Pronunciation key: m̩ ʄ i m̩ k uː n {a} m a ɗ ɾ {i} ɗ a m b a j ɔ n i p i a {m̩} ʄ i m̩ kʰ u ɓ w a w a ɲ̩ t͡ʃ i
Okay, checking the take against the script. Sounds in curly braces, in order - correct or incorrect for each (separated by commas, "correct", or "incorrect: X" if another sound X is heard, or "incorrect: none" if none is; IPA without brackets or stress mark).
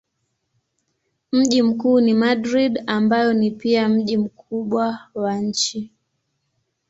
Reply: incorrect: i, correct, correct